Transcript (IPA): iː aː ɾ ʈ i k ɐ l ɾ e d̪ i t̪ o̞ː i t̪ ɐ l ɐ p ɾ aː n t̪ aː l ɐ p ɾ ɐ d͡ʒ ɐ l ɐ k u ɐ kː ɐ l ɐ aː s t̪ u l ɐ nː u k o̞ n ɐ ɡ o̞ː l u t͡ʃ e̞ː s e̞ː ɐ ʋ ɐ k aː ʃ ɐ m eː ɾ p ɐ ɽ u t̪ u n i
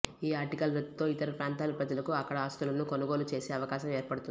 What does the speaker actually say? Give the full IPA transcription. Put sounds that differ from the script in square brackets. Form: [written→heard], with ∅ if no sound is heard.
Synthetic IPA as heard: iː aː ɾ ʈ i k ɐ l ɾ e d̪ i t̪ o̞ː i t̪ ɐ [l→ɾ] ɐ p ɾ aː n t̪ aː l ɐ p ɾ ɐ d͡ʒ ɐ l ɐ k u ɐ kː ɐ [l→ɽ] ɐ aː s t̪ u l ɐ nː u k o̞ n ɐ ɡ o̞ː l u t͡ʃ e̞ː s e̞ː ɐ ʋ ɐ k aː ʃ ɐ m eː ɾ p ɐ ɽ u t̪ u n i